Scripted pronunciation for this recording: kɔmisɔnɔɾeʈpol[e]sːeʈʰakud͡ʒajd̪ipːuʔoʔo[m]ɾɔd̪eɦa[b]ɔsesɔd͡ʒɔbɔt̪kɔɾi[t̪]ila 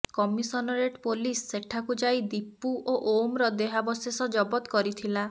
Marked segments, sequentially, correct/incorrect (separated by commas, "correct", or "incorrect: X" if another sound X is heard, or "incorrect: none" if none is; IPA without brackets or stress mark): incorrect: i, correct, correct, incorrect: t̪ʰ